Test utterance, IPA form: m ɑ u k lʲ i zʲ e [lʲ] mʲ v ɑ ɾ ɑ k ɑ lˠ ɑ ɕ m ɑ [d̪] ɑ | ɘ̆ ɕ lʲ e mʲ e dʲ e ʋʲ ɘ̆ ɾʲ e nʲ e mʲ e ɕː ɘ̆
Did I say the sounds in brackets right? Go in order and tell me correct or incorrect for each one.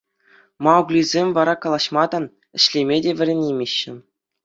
incorrect: none, correct

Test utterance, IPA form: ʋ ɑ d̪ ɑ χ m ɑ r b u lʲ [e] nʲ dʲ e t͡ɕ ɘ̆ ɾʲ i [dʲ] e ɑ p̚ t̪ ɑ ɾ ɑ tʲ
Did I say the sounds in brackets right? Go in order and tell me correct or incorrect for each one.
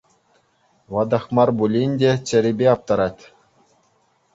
incorrect: i, incorrect: bʲ

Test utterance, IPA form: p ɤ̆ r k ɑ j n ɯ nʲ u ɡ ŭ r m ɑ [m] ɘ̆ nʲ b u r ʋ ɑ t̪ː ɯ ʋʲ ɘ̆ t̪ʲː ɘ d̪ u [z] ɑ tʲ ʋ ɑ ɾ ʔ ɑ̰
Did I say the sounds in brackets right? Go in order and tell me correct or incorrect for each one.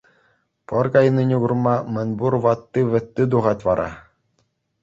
correct, incorrect: ʁ

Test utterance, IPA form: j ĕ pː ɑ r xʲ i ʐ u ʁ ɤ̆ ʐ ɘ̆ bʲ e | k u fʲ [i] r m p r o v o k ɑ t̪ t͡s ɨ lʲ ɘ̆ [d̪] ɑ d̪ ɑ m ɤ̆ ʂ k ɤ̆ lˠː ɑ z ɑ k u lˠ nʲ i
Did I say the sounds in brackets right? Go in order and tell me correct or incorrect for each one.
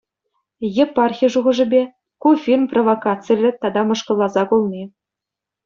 correct, incorrect: t̪

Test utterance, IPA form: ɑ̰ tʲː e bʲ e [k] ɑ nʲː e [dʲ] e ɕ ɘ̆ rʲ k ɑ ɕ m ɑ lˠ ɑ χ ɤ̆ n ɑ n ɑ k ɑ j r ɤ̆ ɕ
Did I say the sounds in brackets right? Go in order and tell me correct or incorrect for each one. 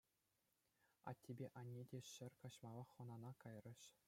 incorrect: ʔ, correct

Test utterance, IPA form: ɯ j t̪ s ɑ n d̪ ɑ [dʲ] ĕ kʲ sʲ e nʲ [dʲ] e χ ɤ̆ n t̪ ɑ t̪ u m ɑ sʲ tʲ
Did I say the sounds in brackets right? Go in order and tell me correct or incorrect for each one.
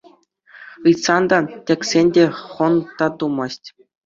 incorrect: tʲ, correct

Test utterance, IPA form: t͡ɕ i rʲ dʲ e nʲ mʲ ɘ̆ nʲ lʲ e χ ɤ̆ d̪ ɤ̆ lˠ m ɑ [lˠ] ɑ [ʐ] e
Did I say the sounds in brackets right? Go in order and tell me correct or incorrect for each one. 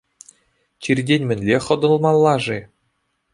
incorrect: lˠː, correct

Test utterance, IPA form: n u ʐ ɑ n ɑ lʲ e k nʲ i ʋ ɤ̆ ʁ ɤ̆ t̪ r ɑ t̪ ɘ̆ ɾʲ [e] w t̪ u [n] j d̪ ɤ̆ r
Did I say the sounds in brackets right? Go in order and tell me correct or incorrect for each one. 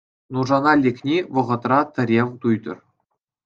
correct, incorrect: none

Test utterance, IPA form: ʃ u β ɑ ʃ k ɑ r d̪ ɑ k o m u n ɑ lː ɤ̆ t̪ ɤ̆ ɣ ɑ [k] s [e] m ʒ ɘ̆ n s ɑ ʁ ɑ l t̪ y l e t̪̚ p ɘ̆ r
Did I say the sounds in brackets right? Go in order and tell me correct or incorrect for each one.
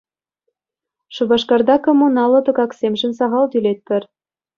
correct, correct

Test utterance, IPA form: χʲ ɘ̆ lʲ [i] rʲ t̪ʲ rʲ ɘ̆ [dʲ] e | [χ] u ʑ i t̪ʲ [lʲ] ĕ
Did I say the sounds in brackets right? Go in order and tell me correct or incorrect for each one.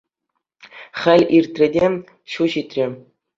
correct, correct, incorrect: ɕ, incorrect: rʲ

